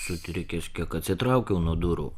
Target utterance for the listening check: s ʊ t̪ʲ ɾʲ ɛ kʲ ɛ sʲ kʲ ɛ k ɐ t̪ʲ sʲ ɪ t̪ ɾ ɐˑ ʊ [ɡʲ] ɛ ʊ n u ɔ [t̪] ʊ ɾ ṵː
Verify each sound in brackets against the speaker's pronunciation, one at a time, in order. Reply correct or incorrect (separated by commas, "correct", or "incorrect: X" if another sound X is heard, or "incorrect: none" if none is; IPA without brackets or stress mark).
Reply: incorrect: kʲ, incorrect: d̪